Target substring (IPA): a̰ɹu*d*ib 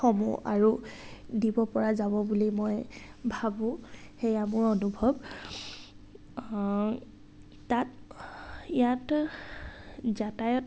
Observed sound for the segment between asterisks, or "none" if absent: d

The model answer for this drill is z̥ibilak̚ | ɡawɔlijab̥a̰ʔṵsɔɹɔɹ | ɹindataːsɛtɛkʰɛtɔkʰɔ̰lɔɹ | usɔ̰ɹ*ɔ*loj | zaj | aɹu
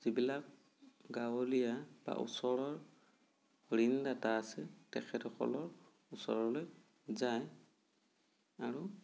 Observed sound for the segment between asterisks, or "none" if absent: ɔ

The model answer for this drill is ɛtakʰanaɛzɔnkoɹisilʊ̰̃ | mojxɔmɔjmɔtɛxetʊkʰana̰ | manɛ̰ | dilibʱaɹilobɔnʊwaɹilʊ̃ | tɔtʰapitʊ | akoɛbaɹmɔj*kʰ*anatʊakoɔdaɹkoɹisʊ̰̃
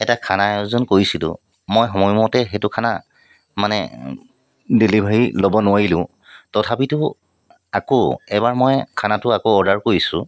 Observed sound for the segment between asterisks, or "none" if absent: kʰ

